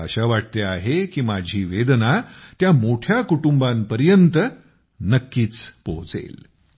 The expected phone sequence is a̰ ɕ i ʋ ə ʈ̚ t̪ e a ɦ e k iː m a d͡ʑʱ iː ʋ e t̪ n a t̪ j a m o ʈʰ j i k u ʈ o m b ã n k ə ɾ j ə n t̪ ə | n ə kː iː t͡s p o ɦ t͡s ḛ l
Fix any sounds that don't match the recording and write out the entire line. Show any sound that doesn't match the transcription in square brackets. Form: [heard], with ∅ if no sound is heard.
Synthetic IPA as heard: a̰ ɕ [a] ʋ [a] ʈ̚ t̪ e a ɦ e k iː m a d͡ʑʱ iː ʋ e [d̪] n a t̪ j a m o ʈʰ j [a] k u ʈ [u] m b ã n [p] ə ɾ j ə n t̪ ə | n ə kː iː t͡s p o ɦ t͡s ḛ l

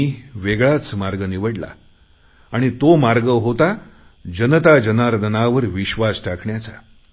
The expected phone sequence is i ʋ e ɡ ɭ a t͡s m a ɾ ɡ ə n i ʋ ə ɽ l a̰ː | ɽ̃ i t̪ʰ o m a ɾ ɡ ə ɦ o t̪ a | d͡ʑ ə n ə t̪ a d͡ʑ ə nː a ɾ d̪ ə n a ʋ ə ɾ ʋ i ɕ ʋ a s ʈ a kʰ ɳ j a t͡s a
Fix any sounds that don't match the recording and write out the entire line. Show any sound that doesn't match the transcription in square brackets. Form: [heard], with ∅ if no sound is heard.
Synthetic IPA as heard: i ʋ e ɡ ɭ a t͡s m a ɾ ɡ ə n i ʋ ə ɽ l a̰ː | ɽ̃ i [t̪] o m a ɾ ɡ ə ɦ o t̪ a | d͡ʑ ə n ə t̪ a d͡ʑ ə [n] a ɾ d̪ ə n a ʋ ə ɾ ʋ i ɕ ʋ a s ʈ a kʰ ɳ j a t͡s a

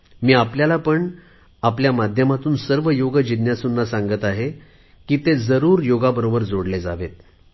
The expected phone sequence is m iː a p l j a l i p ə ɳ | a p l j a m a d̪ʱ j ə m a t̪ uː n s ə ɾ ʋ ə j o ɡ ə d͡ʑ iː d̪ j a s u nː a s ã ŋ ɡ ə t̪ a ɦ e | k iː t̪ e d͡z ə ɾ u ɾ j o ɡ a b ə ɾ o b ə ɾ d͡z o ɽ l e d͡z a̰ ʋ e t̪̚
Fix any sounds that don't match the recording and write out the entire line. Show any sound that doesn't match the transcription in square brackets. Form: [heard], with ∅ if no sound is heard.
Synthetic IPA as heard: m iː a p l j a l [a] p ə ɳ | a p l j a m a d̪ʱ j ə m a t̪ uː n s ə ɾ ʋ ə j o ɡ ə d͡ʑ [i] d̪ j a s u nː a s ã ŋ ɡ ə t̪ a ɦ e | k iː t̪ e d͡z ə ɾ [uː] ɾ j o ɡ a b ə ɾ o b ə ɾ d͡z o ɽ l e d͡z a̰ ʋ e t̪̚

